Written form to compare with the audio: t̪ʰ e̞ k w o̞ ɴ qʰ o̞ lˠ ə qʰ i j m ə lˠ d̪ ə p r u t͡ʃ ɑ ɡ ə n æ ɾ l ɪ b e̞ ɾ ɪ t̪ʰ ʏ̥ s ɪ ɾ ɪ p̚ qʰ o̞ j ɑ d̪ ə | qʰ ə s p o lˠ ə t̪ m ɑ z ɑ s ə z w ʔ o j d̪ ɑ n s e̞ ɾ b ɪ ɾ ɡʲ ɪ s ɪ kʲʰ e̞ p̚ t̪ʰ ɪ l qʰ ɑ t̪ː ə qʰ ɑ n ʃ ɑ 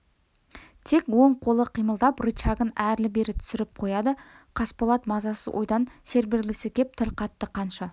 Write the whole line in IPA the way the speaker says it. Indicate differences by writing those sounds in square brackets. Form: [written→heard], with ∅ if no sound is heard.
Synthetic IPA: t̪ʰ e̞ k w o̞ ɴ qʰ o̞ lˠ ə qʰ i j m ə lˠ d̪ [ə→ɑ] p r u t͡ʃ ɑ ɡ ə n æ ɾ l ɪ b e̞ ɾ ɪ t̪ʰ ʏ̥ s ɪ ɾ ɪ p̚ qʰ o̞ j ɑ d̪ ə | qʰ [ə→ɑ] s p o lˠ [ə→ɑ] t̪ m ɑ z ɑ s ə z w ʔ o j d̪ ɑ n s e̞ ɾ b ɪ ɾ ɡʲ ɪ s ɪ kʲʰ e̞ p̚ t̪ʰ ɪ l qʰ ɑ t̪ː ə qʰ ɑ n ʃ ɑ